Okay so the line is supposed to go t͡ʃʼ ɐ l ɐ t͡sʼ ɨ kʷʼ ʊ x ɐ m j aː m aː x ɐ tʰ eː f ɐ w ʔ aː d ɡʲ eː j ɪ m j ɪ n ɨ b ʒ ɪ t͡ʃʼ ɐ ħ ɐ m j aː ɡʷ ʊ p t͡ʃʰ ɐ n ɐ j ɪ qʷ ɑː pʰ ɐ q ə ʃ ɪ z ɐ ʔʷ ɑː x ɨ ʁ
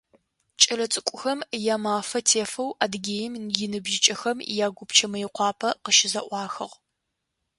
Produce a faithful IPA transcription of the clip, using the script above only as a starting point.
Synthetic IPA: t͡ʃʼ ɐ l ɐ t͡sʼ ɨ kʷʼ ʊ x ɐ m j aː m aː f ɐ tʰ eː f ɐ w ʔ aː d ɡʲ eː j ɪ m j ɪ n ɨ b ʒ ɪ t͡ʃʼ ɐ x ɐ m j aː ɡʷ ʊ p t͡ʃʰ ɐ m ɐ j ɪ qʷ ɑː pʰ ɐ q ə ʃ ɪ z ɐ ʔʷ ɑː x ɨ ʁ